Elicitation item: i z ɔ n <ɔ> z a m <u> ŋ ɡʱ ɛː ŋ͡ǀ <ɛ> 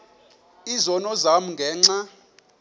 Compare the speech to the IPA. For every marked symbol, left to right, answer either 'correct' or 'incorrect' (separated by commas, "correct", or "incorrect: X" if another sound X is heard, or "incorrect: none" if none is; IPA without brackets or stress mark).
correct, correct, incorrect: a